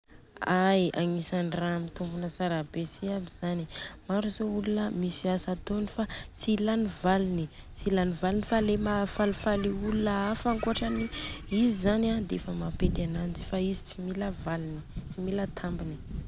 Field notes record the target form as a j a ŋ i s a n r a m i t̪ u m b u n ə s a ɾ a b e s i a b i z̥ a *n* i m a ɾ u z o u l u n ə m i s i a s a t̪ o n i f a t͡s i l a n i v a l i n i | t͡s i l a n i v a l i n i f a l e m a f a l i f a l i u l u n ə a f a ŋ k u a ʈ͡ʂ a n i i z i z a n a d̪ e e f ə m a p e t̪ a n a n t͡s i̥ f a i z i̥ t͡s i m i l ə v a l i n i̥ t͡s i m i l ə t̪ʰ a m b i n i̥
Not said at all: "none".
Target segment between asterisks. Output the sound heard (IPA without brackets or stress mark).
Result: n